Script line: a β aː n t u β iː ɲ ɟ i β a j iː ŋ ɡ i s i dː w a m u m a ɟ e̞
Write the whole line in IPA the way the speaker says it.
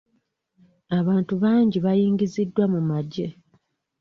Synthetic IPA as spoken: a β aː n t u β aː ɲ ɟ i β a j iː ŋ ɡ i z i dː w a m u m a ɟ e̞

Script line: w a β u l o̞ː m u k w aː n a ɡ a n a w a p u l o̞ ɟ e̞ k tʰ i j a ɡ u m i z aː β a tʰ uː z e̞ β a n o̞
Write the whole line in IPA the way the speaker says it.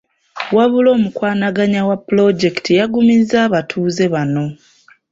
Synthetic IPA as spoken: w a β u l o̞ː m u k w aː n a ɡ a ɲ a w a p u l o̞ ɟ e̞ k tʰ i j a ɡ u m i z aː β a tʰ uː z e̞ β a n o̞

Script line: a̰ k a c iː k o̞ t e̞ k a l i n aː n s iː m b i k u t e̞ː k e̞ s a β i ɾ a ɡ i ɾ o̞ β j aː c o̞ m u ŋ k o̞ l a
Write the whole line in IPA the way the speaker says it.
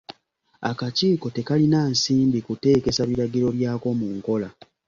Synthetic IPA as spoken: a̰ k a c iː k o̞ t e̞ k a l i n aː n s iː m b i k u t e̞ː k e̞ s a β i ɾ a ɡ i ɾ o̞ β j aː k o̞ m u ŋ k o̞ l a

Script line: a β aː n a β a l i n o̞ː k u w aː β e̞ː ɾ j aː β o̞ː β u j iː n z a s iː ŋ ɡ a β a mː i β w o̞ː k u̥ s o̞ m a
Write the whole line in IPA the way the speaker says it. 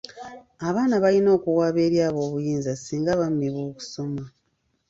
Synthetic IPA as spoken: a β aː n a β a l i n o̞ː k u w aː β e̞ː ɾ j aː β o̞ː β u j iː n z a s iː ŋ ɡ a β a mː i β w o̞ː k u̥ s o̞ m a

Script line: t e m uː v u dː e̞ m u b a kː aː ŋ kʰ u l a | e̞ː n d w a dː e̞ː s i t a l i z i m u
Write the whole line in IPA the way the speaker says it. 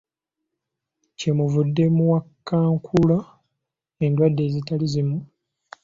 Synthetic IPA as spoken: c e m u v u dː e̞ m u w a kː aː ŋ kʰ u l a | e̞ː n d w a dː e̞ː z i t a l i z i m u

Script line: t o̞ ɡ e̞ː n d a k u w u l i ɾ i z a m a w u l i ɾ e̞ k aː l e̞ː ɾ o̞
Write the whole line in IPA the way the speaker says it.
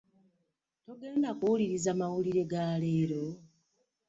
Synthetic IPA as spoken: t o̞ ɡ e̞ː n d a k u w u l i ɾ i z a m a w u l i ɾ e̞ ɡ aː l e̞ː ɾ o̞

